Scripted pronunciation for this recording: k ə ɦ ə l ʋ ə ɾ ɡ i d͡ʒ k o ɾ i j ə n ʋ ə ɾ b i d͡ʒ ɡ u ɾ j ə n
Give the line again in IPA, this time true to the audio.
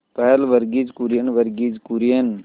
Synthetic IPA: p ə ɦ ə l ʋ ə ɾ ɡ i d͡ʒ k u ɾ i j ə n ʋ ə ɾ ɡ i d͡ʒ k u ɾ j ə n